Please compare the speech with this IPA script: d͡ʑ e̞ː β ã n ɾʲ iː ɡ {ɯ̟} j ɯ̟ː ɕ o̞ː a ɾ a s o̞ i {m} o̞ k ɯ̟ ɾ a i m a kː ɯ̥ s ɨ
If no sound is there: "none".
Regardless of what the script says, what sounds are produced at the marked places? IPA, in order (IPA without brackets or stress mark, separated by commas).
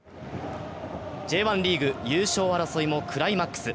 ɯ̟, m